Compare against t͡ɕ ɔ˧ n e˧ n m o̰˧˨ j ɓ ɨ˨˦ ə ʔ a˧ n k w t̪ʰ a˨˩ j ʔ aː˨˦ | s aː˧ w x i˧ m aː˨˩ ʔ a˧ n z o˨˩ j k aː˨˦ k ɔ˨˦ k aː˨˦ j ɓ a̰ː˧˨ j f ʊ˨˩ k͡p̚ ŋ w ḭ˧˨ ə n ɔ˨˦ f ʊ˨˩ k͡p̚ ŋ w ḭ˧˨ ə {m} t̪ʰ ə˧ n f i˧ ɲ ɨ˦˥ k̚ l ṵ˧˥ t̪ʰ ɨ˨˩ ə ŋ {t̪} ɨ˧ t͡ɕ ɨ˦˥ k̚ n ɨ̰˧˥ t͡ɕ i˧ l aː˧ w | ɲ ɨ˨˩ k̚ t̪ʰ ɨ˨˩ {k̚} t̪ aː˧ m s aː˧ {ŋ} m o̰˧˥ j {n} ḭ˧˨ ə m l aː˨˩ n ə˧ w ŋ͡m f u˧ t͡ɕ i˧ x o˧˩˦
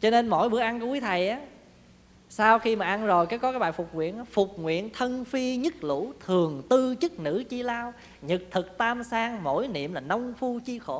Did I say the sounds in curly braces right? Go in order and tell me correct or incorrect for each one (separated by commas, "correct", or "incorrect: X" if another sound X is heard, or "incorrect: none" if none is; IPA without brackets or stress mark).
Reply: incorrect: n, correct, correct, correct, correct